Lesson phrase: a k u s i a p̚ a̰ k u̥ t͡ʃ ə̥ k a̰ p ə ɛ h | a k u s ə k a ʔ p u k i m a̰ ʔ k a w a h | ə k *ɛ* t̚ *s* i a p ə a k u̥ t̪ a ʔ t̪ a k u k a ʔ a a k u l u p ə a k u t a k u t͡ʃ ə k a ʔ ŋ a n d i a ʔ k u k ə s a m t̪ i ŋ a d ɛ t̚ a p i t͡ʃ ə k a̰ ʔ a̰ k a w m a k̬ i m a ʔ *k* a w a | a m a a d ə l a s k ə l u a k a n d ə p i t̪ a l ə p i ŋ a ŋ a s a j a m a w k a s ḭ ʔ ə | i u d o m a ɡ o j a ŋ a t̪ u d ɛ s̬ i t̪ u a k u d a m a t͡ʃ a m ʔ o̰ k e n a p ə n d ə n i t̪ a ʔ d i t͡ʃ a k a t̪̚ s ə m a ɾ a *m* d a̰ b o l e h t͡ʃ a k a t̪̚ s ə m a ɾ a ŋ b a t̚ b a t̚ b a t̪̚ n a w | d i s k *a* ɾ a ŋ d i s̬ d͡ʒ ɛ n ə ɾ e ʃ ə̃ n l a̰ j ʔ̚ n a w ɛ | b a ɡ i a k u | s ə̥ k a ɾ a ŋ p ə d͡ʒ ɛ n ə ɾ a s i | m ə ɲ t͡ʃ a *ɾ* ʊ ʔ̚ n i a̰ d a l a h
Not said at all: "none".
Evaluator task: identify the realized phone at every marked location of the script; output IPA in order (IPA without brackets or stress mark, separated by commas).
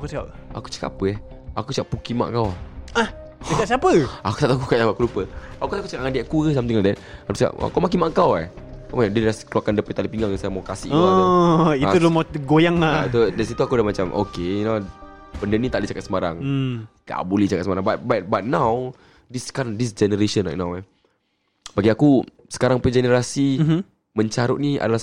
a, s, k, ŋ, a, ɾ